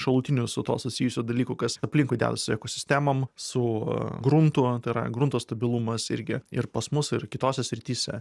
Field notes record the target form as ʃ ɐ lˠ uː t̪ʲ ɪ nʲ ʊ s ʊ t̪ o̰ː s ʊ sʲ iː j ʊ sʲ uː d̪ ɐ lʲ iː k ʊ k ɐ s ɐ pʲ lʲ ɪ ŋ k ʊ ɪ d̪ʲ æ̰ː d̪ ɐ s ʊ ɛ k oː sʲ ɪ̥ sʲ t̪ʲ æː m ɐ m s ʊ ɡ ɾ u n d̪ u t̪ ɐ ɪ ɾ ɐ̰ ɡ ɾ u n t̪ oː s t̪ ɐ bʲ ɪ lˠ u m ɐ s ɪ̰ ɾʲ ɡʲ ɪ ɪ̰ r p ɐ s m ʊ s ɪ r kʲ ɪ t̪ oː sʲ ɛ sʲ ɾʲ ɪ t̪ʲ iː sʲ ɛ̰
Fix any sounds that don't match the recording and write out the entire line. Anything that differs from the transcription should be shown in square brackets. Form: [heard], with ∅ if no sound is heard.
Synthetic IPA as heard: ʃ ɐ lˠ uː t̪ʲ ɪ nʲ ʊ s ʊ t̪ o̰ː s ʊ sʲ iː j ʊ sʲ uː d̪ ɐ lʲ iː k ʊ k ɐ s ɐ pʲ lʲ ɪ ŋ k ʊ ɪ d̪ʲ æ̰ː d̪ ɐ s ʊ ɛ k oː sʲ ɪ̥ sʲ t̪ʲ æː m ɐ m s ʊ ɡ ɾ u n [t̪] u t̪ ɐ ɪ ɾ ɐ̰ ɡ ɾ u n t̪ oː s t̪ ɐ bʲ ɪ lˠ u m ɐ s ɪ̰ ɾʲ ɡʲ ɪ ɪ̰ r p ɐ s m ʊ s ɪ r kʲ ɪ t̪ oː sʲ ɛ sʲ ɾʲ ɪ t̪ʲ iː sʲ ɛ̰